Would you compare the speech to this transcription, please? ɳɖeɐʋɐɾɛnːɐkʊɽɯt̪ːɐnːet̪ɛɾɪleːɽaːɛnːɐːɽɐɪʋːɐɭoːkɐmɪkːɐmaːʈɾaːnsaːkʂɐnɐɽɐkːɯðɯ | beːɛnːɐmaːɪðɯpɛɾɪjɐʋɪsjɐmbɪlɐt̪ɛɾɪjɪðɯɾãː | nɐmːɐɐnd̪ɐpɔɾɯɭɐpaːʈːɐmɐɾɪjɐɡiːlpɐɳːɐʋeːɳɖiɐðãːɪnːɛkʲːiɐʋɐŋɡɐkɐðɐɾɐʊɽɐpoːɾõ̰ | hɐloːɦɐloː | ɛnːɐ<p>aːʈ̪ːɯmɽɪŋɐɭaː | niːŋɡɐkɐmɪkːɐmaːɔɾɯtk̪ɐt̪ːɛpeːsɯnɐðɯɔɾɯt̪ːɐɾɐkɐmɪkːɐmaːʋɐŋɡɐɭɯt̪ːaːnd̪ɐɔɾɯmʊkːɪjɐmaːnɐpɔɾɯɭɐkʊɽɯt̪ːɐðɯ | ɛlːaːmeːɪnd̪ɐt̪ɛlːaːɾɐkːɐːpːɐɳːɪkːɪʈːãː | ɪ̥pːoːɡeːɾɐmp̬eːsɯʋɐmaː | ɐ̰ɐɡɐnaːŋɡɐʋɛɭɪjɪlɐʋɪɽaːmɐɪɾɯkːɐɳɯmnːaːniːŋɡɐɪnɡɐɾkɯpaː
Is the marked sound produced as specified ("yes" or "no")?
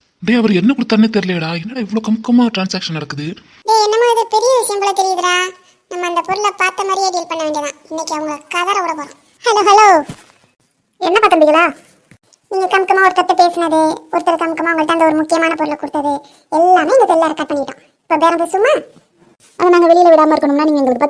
yes